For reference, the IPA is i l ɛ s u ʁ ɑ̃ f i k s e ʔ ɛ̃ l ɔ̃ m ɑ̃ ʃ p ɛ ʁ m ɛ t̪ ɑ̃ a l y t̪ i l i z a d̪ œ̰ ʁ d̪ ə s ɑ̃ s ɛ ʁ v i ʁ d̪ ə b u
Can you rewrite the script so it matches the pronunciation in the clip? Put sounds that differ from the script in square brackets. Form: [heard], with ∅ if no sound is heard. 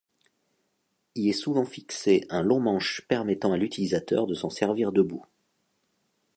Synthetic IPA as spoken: i l ɛ s u [v] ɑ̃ f i k s e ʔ ɛ̃ l ɔ̃ m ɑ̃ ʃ p ɛ ʁ m ɛ t̪ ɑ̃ a l y t̪ i l i z a [t̪] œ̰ ʁ d̪ ə s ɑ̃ s ɛ ʁ v i ʁ d̪ ə b u